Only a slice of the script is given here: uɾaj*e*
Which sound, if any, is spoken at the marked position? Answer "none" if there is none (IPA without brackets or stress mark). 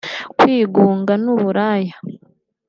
a